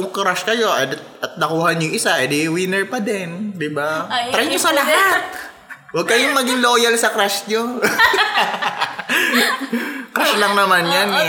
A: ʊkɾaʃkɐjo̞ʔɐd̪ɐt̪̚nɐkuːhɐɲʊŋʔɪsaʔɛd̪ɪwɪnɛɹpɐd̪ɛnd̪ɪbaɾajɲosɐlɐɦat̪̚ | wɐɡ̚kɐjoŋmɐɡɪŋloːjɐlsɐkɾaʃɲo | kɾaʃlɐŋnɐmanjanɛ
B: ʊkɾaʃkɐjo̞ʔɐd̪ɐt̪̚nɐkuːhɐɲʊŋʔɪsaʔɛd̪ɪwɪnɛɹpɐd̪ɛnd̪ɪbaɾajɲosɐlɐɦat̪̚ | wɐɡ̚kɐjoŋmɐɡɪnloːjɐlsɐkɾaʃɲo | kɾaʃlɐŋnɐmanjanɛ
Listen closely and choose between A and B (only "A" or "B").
A